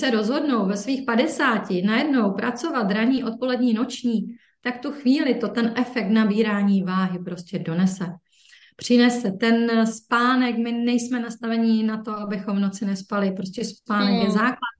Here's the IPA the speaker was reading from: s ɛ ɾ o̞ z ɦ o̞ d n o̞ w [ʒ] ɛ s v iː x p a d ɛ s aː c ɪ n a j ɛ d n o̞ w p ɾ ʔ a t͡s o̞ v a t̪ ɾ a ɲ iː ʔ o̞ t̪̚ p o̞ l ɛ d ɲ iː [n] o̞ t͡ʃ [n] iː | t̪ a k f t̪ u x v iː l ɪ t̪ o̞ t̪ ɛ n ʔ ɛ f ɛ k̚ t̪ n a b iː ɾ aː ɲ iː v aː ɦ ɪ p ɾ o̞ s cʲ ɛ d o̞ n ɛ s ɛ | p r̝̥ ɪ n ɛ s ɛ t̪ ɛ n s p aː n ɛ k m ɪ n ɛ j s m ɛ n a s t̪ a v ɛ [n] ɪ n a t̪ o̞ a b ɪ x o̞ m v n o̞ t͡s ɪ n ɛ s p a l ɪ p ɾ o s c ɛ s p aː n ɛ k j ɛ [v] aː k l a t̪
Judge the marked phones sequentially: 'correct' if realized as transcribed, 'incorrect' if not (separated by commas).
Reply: incorrect, correct, incorrect, incorrect, incorrect